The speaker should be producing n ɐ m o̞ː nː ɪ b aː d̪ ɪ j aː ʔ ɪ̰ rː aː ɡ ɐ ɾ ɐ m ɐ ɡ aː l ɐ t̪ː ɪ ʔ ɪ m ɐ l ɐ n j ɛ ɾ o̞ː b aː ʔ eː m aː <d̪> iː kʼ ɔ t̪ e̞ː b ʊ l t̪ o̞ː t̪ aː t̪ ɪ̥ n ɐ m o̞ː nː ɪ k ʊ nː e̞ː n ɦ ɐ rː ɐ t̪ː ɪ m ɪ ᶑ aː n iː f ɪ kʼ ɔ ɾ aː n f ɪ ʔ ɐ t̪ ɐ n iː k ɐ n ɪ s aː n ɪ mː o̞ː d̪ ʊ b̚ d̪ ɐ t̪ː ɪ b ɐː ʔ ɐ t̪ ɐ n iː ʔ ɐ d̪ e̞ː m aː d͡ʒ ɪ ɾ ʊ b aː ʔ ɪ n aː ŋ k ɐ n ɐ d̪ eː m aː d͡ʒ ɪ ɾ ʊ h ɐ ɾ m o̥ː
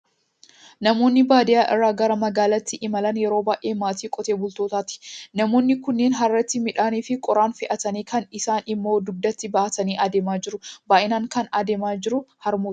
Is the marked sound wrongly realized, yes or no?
yes